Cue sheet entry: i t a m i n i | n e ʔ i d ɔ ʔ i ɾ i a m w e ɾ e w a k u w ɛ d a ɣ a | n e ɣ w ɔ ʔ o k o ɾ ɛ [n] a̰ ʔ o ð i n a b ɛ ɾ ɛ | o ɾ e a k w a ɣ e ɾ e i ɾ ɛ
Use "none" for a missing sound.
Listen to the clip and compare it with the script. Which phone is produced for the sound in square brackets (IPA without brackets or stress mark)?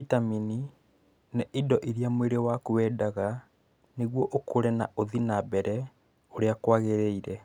n